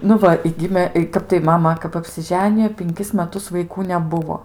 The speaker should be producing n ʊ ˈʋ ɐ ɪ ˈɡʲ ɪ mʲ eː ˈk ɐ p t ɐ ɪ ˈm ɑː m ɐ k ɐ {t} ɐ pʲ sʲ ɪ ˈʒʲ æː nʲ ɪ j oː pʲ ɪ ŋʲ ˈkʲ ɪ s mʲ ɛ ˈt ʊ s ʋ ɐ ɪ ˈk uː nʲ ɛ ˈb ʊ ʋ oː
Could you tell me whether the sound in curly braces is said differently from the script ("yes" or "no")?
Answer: yes